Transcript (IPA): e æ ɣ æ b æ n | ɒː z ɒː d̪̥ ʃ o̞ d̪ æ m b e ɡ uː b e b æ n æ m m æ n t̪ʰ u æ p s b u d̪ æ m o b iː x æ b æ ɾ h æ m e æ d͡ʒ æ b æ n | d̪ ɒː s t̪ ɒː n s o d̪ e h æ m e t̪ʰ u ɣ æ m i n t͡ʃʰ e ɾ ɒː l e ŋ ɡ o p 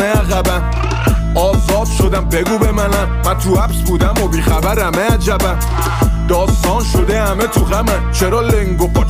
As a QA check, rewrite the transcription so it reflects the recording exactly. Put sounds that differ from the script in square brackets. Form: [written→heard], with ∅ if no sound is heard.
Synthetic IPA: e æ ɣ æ b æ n | ɒː z ɒː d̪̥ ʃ o̞ d̪ æ m b e ɡ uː b e [b→m] æ n æ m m æ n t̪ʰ u æ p s b u d̪ æ m o b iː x æ b æ ɾ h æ m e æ d͡ʒ æ b æ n | d̪ ɒː s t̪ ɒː n [s→ʃ] o d̪ e h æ m e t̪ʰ u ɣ æ m [i→æ] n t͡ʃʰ e ɾ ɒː l e ŋ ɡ o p